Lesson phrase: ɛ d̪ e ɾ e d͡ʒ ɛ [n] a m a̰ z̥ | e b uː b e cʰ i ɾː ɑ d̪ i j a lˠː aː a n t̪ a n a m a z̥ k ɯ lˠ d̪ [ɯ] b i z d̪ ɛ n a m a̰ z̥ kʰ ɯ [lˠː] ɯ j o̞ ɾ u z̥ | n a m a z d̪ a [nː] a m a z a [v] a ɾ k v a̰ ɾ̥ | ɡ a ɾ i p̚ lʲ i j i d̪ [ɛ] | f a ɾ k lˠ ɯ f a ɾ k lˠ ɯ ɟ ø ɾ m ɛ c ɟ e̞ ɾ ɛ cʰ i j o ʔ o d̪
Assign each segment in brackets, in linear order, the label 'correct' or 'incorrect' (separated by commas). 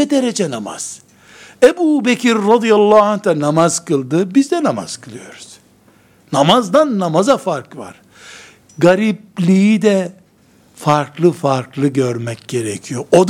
correct, correct, incorrect, correct, incorrect, correct